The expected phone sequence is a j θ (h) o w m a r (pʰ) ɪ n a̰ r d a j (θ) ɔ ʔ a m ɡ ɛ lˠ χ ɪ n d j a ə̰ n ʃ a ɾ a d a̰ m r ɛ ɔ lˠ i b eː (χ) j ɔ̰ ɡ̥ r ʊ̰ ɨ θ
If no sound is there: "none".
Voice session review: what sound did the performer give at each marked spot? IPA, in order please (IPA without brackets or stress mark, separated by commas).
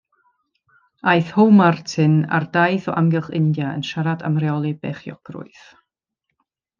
h, tʰ, θ, χ